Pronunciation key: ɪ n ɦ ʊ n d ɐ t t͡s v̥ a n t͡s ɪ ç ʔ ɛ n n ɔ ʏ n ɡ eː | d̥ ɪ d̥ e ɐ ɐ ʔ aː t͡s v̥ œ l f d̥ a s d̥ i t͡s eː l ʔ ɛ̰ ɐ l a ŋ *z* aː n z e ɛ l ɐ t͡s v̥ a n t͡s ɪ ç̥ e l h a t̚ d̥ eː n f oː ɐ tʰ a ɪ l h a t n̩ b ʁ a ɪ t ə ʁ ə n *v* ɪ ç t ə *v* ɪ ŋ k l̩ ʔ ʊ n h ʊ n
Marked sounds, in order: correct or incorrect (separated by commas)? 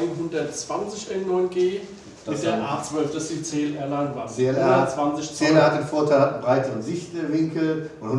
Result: incorrect, incorrect, correct